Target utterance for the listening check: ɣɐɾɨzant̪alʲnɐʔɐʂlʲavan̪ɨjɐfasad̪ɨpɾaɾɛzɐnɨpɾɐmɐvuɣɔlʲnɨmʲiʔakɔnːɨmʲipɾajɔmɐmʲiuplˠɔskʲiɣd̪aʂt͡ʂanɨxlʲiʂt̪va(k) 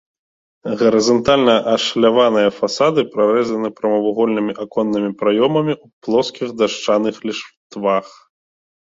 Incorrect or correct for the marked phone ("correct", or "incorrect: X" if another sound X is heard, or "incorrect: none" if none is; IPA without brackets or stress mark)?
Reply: incorrect: x